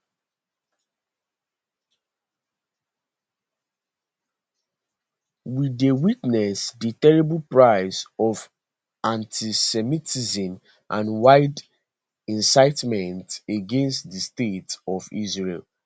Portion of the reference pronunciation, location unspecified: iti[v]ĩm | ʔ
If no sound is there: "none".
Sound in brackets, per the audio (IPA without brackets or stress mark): z